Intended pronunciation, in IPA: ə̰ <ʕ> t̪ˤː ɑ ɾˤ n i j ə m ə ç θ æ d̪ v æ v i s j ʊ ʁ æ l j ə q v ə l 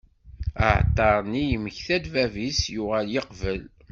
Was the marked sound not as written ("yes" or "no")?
no